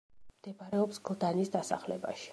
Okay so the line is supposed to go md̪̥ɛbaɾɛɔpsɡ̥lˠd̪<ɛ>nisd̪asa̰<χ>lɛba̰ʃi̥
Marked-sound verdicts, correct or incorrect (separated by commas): incorrect, correct